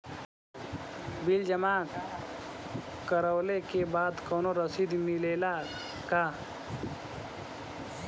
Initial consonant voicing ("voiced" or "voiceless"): voiced